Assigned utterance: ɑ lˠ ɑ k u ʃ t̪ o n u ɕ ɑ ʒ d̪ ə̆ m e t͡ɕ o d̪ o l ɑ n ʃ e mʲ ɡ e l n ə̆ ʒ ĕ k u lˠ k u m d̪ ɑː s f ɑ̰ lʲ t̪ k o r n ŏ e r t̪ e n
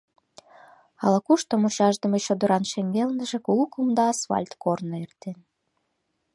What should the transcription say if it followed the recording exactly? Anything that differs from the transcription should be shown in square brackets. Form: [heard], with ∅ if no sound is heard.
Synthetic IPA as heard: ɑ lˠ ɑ k u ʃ t̪ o [m] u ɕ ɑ ʒ d̪ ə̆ m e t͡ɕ o d̪ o [ɾ] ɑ n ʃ e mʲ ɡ e l n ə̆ ʒ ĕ k u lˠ k u m d̪ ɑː s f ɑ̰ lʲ t̪ k o r n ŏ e r t̪ e n